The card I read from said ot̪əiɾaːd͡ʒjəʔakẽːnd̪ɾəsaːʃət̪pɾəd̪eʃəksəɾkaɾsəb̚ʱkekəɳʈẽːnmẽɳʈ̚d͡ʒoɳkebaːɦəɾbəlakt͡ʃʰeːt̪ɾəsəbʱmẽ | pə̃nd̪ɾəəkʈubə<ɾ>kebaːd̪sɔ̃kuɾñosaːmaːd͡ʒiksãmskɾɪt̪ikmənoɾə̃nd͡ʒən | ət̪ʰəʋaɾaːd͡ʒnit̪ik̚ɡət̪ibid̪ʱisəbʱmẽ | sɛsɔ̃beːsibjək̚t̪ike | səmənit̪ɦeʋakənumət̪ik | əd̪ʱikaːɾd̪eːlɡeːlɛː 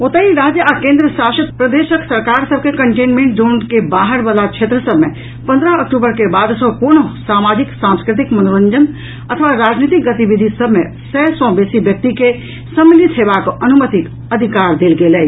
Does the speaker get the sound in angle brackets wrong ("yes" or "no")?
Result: no